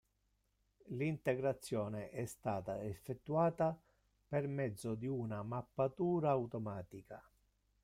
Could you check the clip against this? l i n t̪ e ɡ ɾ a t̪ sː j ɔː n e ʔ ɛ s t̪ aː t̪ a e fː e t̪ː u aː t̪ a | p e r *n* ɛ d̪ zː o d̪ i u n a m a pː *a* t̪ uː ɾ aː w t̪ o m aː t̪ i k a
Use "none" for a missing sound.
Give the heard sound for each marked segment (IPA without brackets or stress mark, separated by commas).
m, a